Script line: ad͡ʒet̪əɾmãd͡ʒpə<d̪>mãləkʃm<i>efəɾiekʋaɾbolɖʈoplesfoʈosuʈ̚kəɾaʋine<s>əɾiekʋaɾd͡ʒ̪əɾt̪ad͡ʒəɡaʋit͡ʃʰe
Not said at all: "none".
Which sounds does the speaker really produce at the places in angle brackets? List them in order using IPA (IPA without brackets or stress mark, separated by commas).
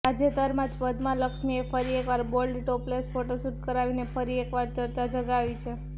d̪, i, f